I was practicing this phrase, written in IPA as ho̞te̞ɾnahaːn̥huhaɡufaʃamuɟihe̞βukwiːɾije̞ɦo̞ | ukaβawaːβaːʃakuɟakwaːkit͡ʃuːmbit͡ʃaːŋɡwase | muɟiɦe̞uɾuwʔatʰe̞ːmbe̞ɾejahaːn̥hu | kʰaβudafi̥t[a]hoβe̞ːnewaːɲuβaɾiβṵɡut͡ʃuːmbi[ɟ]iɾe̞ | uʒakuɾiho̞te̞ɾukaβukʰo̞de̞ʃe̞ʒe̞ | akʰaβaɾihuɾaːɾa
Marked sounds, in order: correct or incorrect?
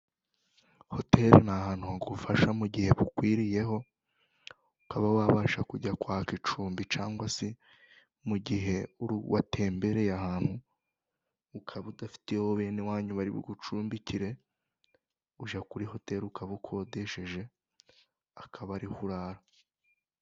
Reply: incorrect: e, incorrect: c

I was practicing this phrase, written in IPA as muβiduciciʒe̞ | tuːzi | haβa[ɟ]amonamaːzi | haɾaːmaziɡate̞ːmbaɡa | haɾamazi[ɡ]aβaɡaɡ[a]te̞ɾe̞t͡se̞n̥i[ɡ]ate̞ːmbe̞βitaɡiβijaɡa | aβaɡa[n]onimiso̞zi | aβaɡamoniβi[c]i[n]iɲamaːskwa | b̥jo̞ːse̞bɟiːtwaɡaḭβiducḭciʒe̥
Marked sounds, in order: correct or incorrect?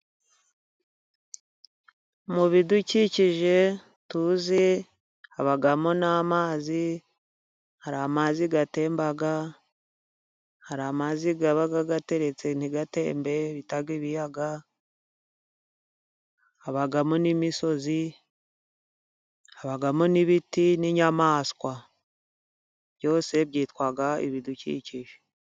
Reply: incorrect: ɡ, correct, correct, correct, incorrect: m, incorrect: t, correct

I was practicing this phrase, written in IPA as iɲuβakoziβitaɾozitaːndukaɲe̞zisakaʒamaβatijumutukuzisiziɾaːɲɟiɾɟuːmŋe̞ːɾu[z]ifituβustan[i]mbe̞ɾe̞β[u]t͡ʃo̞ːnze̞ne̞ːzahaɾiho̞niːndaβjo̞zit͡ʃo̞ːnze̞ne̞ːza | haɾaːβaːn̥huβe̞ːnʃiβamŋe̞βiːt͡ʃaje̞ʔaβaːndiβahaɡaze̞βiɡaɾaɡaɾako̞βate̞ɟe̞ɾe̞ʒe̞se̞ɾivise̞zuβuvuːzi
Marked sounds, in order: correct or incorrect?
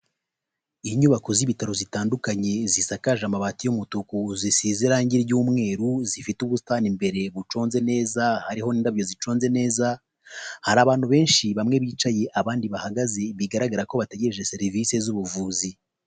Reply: correct, correct, correct

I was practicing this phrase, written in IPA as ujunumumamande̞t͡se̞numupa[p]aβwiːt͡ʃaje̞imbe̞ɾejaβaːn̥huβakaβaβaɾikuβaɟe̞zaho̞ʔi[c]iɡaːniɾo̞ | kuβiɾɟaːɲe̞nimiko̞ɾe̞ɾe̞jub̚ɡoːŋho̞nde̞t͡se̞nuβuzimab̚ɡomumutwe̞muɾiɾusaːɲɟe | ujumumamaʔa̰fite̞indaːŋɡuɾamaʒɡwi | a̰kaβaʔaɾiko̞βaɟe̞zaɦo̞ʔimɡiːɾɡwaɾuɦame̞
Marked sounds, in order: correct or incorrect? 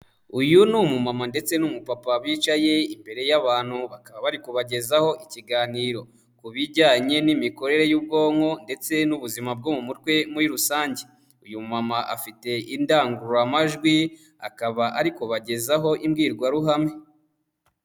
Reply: correct, correct

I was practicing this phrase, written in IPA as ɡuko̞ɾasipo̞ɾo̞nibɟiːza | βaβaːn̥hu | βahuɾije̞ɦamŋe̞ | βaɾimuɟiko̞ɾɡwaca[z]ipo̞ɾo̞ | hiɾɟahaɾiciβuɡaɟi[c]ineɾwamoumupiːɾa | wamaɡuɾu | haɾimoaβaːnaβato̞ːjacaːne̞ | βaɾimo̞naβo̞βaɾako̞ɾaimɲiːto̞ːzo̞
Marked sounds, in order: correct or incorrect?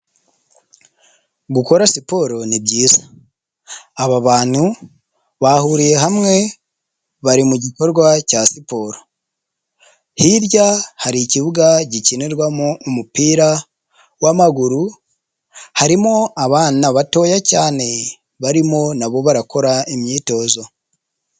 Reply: incorrect: s, correct

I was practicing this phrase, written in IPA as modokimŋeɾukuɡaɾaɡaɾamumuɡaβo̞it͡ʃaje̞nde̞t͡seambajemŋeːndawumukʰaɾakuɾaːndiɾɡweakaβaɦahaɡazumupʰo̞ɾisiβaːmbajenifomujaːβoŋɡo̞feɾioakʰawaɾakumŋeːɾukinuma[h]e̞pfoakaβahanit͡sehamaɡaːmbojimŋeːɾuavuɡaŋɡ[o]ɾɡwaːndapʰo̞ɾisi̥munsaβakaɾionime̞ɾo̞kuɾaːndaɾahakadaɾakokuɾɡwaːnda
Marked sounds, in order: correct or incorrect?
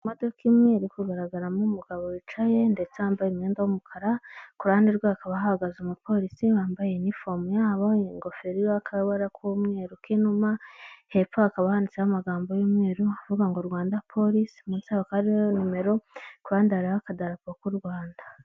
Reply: correct, correct

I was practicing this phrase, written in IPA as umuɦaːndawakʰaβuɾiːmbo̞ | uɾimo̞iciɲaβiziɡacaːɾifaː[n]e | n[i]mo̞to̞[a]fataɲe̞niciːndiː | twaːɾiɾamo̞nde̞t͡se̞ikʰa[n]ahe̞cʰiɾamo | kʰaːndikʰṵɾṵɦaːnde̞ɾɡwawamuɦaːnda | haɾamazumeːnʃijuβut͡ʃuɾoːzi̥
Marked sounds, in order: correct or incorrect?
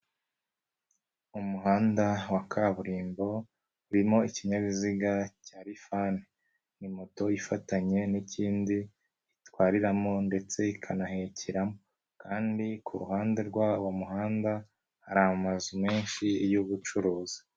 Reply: correct, correct, incorrect: i, correct

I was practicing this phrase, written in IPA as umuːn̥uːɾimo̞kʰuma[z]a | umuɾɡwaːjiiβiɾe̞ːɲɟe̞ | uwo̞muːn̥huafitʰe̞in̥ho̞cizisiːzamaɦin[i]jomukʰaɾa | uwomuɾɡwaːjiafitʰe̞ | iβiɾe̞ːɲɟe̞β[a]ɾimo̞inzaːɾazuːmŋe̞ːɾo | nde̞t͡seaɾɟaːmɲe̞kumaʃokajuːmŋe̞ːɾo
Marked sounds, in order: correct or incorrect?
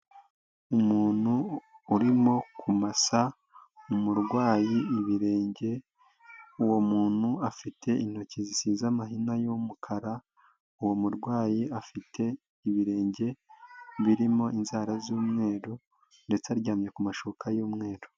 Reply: incorrect: s, incorrect: a, incorrect: i

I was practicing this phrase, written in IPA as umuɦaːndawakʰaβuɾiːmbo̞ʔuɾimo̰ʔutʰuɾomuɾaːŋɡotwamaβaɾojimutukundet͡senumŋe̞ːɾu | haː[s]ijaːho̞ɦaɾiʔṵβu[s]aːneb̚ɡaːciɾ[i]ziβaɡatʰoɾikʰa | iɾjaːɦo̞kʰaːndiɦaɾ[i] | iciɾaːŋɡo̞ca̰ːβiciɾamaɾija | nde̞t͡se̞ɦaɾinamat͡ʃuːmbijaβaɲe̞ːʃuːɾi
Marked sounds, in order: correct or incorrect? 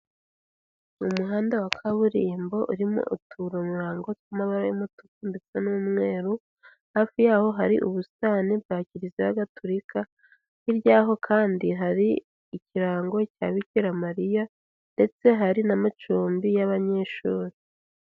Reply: incorrect: f, correct, correct, correct

